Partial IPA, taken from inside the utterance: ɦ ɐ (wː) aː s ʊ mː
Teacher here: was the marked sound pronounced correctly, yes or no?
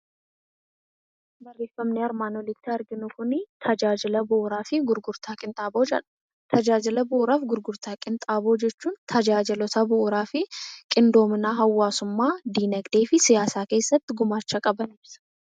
yes